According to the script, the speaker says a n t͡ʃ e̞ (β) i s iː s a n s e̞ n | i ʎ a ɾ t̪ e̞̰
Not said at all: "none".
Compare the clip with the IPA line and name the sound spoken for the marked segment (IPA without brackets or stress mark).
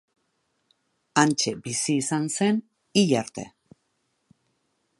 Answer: b